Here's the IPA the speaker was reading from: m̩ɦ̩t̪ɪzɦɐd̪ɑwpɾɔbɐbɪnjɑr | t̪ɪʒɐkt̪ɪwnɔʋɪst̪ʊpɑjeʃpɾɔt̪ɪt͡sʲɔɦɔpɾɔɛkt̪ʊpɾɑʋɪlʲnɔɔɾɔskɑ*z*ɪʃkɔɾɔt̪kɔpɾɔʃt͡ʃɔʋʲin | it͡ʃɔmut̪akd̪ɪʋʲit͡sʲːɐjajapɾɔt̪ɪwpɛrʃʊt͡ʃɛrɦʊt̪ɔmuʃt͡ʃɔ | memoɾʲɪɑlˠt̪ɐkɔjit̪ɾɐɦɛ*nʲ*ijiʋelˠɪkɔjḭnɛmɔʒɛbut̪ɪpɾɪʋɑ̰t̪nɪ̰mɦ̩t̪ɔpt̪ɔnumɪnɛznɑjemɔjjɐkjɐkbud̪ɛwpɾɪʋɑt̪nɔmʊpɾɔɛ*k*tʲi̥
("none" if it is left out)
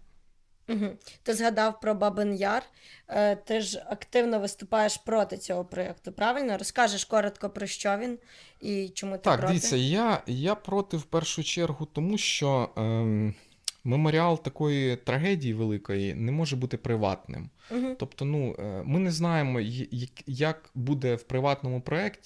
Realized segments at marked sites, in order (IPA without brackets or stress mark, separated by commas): ʒ, dʲ, k